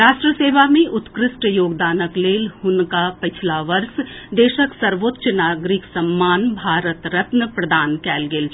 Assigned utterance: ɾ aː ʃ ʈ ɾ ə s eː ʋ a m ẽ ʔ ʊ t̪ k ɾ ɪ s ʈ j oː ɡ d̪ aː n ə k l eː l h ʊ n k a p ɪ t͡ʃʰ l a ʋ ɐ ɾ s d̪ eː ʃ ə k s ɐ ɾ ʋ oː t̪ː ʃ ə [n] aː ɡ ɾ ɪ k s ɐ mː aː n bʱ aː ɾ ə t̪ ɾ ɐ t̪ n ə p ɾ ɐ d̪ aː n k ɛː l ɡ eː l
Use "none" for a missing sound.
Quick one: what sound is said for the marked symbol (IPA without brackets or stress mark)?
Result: n